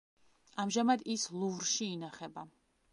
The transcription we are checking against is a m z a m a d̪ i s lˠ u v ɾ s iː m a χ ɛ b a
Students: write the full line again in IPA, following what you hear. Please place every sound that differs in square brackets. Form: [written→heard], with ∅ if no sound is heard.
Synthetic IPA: a m [z→ʒ] a m a d̪ i s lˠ u v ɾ [s→ʃ] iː [m→n] a χ ɛ b a